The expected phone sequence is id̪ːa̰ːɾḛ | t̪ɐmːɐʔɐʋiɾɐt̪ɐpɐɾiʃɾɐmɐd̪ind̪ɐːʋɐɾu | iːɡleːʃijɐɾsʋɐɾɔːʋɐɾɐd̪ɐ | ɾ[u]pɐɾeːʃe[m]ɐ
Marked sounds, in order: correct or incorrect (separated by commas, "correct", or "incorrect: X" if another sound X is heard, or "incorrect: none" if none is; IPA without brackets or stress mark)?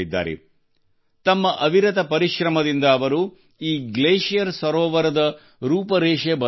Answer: incorrect: uː, incorrect: b